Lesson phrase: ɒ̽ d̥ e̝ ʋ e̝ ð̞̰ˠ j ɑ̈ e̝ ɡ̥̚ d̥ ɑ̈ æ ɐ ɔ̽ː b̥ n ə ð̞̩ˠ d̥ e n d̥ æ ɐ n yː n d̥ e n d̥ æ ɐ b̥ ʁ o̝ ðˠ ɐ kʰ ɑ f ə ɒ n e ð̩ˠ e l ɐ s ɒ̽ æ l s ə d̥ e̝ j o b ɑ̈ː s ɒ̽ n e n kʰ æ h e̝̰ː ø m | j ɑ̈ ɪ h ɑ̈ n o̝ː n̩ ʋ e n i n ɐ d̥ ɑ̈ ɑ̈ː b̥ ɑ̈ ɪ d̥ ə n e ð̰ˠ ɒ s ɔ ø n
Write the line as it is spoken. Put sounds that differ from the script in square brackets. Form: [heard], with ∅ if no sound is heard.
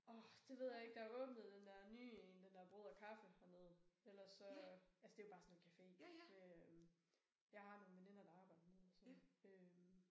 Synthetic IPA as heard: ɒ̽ d̥ e̝ ʋ e̝ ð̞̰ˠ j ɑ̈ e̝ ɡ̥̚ d̥ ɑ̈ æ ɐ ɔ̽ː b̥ n ə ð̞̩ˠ d̥ e n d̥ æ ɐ n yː n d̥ e n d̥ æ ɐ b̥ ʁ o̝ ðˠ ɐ kʰ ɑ f ə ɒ n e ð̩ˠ e l ɐ s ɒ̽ æ l s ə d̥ e̝ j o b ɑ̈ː s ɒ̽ n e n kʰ æ [f] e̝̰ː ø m | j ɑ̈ ɪ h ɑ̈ n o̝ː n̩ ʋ e n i n ɐ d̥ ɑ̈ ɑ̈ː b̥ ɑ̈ ɪ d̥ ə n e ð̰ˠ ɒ s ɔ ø [m]